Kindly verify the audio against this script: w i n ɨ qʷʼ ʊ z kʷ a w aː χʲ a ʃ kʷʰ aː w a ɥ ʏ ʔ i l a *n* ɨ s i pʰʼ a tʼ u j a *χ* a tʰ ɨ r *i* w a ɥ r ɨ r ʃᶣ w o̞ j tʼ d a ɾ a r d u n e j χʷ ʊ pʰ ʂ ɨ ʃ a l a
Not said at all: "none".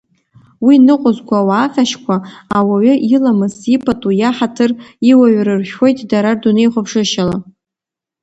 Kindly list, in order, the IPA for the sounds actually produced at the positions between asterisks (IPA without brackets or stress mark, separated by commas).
m, ħ, i